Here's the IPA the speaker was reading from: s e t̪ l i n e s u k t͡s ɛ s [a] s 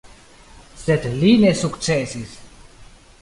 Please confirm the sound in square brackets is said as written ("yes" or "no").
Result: no